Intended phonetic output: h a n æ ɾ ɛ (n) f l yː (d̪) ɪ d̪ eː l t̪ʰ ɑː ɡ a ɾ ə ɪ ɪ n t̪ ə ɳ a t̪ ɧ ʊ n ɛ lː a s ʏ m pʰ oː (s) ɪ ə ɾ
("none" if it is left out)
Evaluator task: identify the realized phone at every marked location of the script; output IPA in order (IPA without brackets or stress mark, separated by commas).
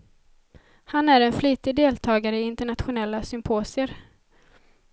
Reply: n, t̪, s